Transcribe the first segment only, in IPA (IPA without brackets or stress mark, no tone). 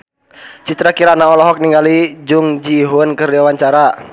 t͡ʃ